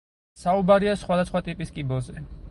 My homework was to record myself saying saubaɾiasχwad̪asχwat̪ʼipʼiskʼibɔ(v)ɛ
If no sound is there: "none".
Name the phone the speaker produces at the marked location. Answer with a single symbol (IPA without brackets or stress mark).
z